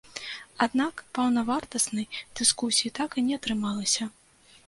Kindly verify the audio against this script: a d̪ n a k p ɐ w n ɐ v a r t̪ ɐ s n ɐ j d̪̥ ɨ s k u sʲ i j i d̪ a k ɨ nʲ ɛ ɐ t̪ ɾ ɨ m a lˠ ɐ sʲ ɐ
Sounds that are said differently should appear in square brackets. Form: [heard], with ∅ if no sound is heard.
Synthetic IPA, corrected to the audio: a d̪ n a k p ɐ w n ɐ v a r t̪ ɐ s n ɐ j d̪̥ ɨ s k u sʲ i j i [t̪] a k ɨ nʲ ɛ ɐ t̪ ɾ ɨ m a lˠ ɐ sʲ ɐ